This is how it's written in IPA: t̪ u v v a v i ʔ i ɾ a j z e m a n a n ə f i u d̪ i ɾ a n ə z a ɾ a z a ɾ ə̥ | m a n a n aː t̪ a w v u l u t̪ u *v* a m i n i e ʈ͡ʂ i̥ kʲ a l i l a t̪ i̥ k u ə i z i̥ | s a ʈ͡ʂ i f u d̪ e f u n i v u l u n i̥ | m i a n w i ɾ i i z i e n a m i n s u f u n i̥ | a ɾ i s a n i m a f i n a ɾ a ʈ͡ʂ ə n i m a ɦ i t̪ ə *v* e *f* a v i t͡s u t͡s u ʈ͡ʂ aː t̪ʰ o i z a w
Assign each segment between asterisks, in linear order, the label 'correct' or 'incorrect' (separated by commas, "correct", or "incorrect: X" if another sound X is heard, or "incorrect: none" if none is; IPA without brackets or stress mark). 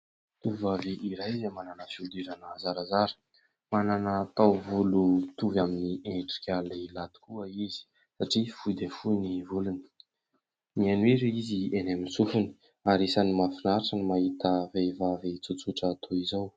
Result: correct, correct, incorrect: v